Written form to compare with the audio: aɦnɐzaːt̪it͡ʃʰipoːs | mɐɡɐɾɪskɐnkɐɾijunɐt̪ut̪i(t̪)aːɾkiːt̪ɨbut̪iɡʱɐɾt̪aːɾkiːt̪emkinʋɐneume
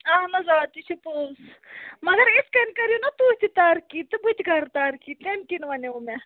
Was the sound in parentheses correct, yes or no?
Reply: yes